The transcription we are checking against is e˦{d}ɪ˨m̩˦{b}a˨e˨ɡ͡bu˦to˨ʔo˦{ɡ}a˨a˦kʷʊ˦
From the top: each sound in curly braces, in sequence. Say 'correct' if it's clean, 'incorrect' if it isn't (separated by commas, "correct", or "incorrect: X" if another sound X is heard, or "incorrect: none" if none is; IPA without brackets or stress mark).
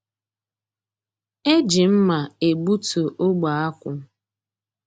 incorrect: d͡ʒ, incorrect: m, incorrect: ɡ͡b